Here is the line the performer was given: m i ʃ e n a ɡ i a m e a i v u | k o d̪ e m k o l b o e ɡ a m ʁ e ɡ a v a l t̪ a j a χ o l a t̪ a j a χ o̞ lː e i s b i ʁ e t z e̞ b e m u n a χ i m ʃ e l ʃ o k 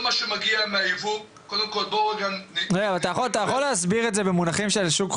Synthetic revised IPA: m a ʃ e m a ɡ i a m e a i v u | k o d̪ e m k o l b o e ɡ a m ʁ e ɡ a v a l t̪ a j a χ o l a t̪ a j a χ o̞ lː e a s b i ʁ e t z e̞ b e m u n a χ i m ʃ e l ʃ u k

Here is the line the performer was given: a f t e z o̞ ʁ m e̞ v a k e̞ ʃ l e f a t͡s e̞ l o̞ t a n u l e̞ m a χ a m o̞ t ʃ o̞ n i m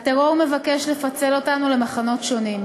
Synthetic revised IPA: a t e ʁ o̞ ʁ m e̞ v a k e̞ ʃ l e f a t͡s e̞ l o̞ t a n u l e̞ m a χ a n o̞ t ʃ o̞ n i m

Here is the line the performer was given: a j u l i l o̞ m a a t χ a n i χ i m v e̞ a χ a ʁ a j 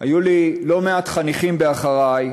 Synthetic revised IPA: a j u l i l o̞ m e a t χ a n i χ i m b e̞ a χ a ʁ a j

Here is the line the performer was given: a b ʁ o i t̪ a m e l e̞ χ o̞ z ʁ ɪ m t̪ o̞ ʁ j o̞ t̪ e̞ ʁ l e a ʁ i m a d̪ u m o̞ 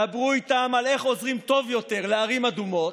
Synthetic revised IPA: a b ʁ u i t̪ a m a l e̞ χ o̞ z ʁ i m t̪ o̞ v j o̞ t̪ e̞ ʁ l e a ʁ i m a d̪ u m o̞

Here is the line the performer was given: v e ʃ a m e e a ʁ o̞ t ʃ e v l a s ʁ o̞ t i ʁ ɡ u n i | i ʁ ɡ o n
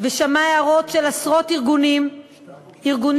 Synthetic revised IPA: v e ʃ a m a e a ʁ o̞ t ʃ e l a s ʁ o̞ t i ʁ ɡ u n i | i ʁ ɡ u n

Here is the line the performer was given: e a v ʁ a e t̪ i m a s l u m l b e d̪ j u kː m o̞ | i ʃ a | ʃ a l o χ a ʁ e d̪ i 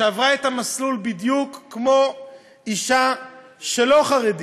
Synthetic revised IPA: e a v ʁ a e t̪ a m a s l u l b i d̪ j u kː m o̞ | i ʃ a | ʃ e l o χ a ʁ e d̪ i

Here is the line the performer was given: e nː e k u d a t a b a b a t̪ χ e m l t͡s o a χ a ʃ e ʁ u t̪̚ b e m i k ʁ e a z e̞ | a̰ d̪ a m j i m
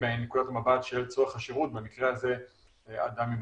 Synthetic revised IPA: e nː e k u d a t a m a b a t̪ ʃ e l t͡s o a χ a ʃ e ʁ u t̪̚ b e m i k ʁ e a z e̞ | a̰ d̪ a m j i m

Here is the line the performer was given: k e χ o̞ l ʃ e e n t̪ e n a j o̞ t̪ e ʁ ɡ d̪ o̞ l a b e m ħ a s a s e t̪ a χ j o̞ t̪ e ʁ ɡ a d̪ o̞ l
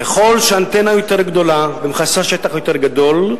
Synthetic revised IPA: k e χ o̞ l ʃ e a n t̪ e n a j o̞ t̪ e ʁ ɡ d̪ o̞ l a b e m χ a s a ʃ e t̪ a χ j o̞ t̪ e ʁ ɡ a d̪ o̞ l

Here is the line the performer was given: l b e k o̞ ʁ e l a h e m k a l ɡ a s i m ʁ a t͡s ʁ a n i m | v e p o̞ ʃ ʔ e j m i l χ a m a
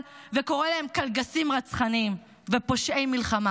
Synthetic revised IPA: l v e k o̞ ʁ e l a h e m k a l ɡ a s i m ʁ a t͡s χ a n i m | v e p o̞ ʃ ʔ e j m i l χ a m a

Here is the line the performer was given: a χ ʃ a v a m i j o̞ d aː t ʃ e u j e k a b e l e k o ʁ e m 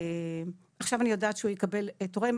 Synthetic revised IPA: a χ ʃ a v a n i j o̞ d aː t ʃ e u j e k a b e l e t o ʁ e m

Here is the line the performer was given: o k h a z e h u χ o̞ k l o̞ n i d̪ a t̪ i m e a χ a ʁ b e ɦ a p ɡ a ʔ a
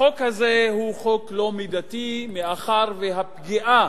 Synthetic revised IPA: o k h a z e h u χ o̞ k l o̞ m i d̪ a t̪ i m e a χ a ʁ v e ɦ a p ɡ i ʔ a

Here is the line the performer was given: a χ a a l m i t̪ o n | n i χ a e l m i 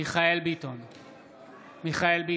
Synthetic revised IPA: i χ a e l b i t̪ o n | m i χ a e l b i

